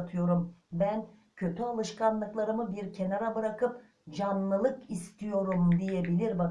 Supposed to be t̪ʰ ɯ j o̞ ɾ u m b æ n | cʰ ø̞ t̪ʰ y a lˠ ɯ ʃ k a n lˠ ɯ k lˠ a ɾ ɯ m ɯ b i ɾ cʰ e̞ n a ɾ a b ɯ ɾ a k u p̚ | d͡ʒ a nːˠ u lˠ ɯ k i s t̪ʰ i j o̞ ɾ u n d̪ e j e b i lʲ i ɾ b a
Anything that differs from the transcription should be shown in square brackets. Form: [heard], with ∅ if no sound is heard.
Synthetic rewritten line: t̪ʰ ɯ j o̞ ɾ u m b æ n | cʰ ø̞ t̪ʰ y a lˠ ɯ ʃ k a n lˠ ɯ k lˠ a ɾ ɯ m ɯ b i ɾ cʰ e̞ n a ɾ a b ɯ ɾ a k [ɯ] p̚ | d͡ʒ a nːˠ [ɯ] lˠ ɯ k i s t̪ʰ i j o̞ ɾ u [m] d̪ [i] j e b i lʲ i ɾ b a